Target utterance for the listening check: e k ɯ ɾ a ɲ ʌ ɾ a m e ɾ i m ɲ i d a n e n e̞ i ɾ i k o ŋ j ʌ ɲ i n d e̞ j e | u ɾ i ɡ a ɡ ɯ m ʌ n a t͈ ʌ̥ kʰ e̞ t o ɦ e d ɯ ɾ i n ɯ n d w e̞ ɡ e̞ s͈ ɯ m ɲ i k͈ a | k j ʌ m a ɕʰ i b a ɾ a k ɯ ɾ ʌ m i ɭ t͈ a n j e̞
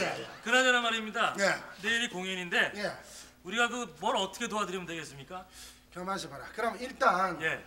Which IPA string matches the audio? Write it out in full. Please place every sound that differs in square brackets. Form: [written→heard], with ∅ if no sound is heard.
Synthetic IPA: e k ɯ ɾ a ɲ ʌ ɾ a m [e→a] ɾ i m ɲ i d a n e n e̞ i ɾ i k o ŋ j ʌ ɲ i n d e̞ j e | u ɾ i ɡ a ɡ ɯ m ʌ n [a→ʌ] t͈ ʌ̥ kʰ e̞ t o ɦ [e→a] d ɯ ɾ i [n→m] ɯ n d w e̞ ɡ e̞ s͈ ɯ m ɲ i k͈ a | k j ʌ m a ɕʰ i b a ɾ a k ɯ ɾ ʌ m i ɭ t͈ a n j e̞